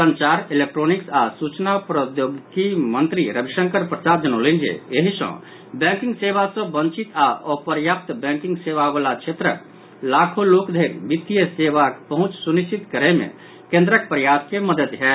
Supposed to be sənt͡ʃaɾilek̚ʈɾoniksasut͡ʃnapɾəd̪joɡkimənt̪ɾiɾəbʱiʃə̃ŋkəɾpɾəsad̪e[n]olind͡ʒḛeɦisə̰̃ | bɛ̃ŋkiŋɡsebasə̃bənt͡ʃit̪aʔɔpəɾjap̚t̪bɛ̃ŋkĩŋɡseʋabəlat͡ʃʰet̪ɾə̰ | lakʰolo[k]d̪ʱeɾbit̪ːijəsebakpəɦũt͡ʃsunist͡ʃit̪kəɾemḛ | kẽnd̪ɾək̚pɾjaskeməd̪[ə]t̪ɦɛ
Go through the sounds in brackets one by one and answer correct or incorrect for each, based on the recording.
correct, correct, correct

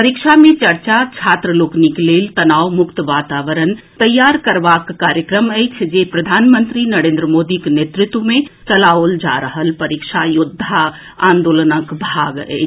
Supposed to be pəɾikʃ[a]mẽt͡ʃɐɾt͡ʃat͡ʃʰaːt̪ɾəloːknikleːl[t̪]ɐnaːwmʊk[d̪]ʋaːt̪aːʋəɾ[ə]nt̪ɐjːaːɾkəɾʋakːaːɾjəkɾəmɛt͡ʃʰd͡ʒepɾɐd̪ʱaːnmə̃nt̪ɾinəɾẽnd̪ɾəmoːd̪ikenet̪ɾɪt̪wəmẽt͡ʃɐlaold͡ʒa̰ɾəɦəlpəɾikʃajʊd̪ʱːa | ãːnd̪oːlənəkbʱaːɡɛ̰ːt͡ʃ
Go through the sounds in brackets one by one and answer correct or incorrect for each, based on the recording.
correct, correct, incorrect: t̪, correct

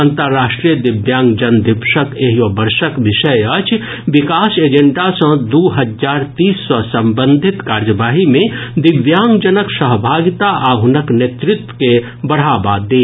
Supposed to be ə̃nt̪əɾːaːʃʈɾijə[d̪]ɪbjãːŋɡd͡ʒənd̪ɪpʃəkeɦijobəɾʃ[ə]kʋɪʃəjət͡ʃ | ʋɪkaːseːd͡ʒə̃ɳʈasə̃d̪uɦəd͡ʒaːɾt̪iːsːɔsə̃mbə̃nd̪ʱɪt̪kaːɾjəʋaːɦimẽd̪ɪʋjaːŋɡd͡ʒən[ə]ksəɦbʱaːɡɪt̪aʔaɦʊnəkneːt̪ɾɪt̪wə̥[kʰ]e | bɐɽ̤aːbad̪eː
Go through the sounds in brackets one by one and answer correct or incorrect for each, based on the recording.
correct, correct, correct, incorrect: k

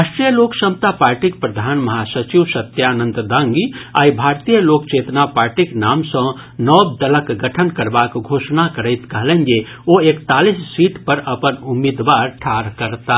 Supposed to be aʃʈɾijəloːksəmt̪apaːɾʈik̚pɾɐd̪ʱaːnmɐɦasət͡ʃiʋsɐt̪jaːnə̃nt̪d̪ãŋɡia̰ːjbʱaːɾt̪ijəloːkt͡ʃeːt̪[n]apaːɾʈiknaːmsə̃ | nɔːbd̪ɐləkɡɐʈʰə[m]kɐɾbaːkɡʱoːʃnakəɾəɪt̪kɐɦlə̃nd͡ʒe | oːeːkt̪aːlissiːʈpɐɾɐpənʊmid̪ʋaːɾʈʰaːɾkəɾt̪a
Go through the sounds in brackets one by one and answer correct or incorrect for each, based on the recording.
correct, incorrect: n

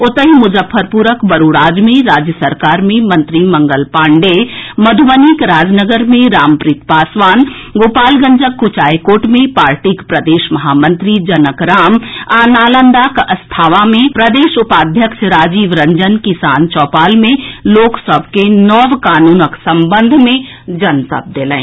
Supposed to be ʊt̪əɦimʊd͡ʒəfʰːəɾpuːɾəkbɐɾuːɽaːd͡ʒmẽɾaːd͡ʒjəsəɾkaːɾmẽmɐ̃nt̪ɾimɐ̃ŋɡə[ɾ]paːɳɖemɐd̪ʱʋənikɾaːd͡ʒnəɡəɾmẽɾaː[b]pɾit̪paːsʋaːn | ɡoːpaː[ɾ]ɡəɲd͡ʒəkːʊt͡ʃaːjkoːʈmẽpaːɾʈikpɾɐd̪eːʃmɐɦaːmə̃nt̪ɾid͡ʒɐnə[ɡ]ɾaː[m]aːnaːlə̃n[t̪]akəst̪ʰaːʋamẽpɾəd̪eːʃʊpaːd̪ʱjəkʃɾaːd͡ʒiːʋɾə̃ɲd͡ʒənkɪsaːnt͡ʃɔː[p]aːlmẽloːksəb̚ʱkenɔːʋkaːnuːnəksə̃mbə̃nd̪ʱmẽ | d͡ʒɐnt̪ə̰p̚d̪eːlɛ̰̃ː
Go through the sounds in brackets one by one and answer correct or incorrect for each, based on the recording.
incorrect: l, incorrect: m, incorrect: l, incorrect: k, correct, incorrect: d̪, correct

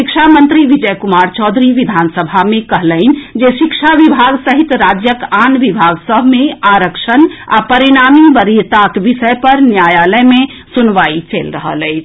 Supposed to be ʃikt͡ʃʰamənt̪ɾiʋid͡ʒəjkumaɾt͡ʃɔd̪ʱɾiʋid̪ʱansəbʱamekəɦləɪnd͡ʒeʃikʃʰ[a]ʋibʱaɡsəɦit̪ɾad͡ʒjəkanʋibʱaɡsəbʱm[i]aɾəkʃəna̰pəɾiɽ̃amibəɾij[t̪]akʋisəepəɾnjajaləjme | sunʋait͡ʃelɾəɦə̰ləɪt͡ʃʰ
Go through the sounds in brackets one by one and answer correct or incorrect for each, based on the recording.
correct, incorrect: e, correct

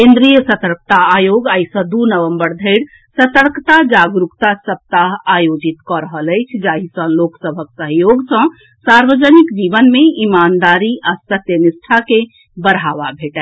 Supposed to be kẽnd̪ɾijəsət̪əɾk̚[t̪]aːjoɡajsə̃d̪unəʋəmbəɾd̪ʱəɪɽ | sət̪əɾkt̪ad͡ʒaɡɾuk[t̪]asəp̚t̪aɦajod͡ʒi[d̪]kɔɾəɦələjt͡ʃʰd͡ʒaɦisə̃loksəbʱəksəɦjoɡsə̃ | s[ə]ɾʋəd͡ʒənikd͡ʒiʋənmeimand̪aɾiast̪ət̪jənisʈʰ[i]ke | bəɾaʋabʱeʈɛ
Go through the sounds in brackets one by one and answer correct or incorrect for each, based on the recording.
correct, correct, incorrect: t̪, incorrect: a, incorrect: a

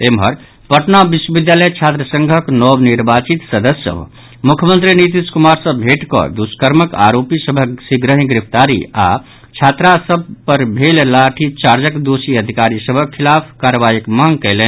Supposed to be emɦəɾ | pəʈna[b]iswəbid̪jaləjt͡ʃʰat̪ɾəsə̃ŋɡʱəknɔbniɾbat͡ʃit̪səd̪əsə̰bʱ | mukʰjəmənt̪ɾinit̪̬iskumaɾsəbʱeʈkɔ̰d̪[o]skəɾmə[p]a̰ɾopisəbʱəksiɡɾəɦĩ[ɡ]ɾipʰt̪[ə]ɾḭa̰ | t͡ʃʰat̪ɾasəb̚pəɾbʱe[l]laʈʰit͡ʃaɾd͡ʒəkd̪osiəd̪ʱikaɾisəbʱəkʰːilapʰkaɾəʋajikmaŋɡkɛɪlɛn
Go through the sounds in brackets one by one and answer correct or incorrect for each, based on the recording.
correct, incorrect: u, incorrect: k, correct, incorrect: a, correct

